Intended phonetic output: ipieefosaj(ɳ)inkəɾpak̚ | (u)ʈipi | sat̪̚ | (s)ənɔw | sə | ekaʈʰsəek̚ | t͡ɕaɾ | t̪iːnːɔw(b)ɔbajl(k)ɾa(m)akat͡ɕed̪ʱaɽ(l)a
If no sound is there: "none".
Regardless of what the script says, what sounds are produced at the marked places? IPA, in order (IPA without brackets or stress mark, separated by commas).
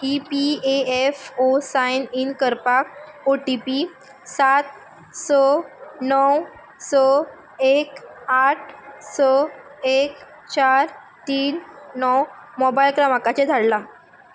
n, o, s, m, k, m, l